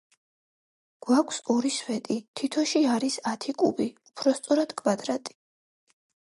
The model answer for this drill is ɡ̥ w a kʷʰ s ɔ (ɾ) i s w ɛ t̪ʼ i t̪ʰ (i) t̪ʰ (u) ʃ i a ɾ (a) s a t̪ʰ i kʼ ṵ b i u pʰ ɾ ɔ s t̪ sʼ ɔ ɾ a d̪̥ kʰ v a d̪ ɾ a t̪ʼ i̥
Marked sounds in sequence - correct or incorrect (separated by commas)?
correct, correct, incorrect, incorrect